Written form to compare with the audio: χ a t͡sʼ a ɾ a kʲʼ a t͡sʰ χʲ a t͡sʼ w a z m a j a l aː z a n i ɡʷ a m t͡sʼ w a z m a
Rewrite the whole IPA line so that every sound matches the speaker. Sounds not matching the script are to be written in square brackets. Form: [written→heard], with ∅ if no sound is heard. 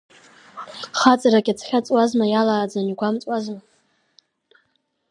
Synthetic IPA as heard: χ a t͡sʼ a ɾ a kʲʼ a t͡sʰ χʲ a t͡sʼ w a z m a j a l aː [z→d͡z] a n i ɡʷ a m t͡sʼ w a z m a